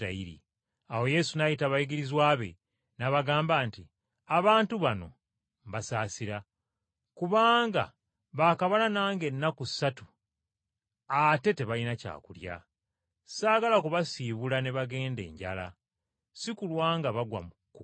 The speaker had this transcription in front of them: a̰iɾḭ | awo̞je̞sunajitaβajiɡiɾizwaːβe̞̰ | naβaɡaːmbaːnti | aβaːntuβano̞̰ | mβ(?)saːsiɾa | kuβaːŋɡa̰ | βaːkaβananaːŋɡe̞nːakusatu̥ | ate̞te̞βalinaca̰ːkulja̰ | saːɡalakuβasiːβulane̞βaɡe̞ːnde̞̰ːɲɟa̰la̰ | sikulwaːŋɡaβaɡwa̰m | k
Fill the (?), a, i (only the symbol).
a